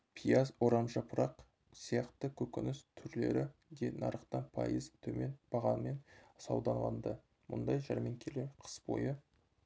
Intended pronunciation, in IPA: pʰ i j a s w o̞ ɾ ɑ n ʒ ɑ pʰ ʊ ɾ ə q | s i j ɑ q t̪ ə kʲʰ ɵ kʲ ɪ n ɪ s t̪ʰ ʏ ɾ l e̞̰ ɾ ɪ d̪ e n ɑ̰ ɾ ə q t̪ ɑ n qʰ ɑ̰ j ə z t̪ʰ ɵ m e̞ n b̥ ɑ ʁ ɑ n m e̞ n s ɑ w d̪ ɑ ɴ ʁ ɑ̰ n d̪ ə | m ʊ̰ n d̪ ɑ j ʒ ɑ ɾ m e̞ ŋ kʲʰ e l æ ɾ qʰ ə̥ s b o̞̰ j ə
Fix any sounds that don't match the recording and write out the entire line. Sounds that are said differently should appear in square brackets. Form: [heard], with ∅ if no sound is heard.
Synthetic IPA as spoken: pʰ i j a [z] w o̞ ɾ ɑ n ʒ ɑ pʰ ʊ ɾ [ɑ] q | s i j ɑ q t̪ ə kʲʰ ɵ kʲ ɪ n ɪ s t̪ʰ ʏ ɾ l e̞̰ ɾ ɪ d̪ e n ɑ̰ ɾ ə q t̪ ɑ n [pʰ] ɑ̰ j ə z t̪ʰ ɵ m e̞ n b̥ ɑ ʁ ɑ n m e̞ n s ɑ w d̪ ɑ ɴ ʁ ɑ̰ n d̪ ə | m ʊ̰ n d̪ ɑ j ʒ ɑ ɾ m e̞ ŋ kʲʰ e l [e] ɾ qʰ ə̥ s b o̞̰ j ə